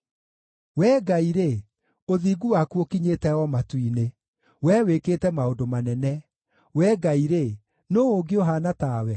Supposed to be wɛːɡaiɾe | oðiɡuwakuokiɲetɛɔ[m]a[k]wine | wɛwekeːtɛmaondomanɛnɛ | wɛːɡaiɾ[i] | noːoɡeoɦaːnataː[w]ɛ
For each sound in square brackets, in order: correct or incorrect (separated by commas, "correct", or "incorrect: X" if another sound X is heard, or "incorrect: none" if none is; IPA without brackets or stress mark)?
correct, incorrect: t, incorrect: e, correct